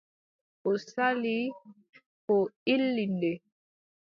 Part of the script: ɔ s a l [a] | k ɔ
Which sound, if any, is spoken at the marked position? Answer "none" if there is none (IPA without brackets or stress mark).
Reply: i